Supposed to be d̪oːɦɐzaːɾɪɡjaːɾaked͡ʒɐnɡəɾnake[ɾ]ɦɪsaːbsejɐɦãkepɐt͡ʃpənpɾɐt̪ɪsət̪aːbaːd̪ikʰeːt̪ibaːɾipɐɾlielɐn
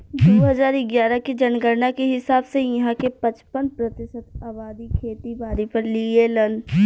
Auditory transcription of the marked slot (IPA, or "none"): none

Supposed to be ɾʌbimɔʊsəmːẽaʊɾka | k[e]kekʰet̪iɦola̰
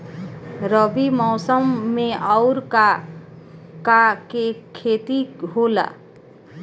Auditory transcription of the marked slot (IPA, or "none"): a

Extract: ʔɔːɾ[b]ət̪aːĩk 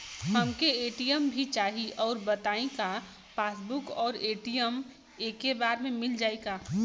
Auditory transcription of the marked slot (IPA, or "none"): b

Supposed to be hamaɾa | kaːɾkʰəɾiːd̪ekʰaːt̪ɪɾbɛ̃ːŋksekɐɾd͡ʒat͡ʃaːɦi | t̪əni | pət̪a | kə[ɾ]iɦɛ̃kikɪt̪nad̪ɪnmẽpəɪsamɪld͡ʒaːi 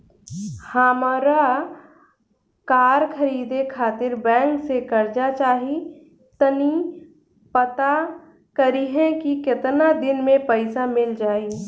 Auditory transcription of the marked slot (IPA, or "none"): ɾ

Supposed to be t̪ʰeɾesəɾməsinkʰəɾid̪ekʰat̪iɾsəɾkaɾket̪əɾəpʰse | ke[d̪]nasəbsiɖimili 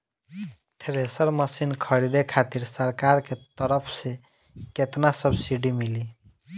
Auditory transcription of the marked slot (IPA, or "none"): t̪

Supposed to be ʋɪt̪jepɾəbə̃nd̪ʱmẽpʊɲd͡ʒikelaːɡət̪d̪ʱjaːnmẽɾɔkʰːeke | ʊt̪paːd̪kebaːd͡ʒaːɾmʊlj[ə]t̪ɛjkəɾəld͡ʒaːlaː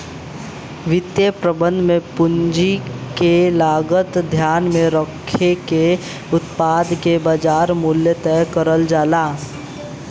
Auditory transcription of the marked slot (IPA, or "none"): ə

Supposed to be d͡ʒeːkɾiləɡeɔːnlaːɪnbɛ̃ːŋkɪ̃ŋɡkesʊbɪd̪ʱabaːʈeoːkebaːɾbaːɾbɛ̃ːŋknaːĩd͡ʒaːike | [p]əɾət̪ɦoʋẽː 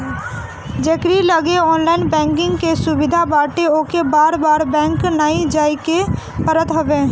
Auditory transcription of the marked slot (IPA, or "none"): p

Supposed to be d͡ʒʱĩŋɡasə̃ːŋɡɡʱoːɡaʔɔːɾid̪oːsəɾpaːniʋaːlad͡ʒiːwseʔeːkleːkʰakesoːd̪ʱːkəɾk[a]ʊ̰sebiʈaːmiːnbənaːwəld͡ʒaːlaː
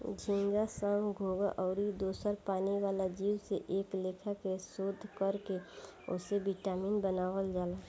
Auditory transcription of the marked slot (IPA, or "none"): e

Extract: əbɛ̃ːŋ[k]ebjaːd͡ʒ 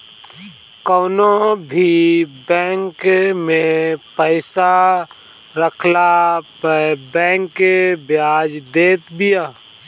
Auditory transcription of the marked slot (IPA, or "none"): k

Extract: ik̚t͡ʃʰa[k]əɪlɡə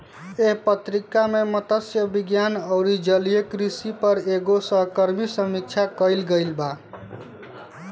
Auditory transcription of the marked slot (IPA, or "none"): k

